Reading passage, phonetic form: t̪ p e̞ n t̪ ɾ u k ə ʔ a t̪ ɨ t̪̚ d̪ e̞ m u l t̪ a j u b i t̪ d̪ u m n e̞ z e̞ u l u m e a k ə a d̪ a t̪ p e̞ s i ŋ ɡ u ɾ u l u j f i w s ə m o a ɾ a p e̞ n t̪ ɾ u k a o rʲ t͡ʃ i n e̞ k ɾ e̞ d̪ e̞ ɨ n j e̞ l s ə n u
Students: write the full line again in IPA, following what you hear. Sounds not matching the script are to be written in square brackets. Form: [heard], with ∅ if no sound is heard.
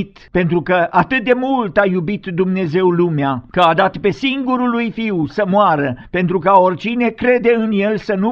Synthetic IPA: t̪ p e̞ n t̪ ɾ u k ə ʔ a t̪ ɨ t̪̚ d̪ e̞ m u l t̪ a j u b i t̪ d̪ u m n e̞ z e̞ [w] l u m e a k ə a d̪ a t̪ p e̞ s i ŋ ɡ u ɾ u l u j f i w s ə m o a ɾ [ə] p e̞ n t̪ ɾ u k a o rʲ t͡ʃ i n e̞ k ɾ e̞ d̪ e̞ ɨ n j e̞ l s ə n u